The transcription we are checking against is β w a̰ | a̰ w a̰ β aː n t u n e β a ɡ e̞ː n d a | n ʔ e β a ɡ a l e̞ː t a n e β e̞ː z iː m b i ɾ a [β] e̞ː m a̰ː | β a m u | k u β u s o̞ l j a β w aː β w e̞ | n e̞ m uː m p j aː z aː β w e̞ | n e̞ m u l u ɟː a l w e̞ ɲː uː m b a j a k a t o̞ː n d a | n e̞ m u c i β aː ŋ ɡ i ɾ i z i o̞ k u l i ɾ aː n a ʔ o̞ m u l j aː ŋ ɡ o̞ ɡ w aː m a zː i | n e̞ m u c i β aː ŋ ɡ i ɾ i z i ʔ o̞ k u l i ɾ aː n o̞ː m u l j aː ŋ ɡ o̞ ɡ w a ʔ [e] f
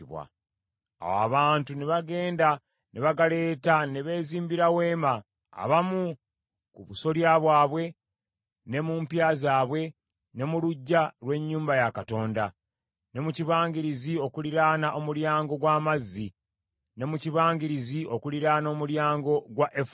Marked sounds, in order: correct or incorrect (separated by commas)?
incorrect, correct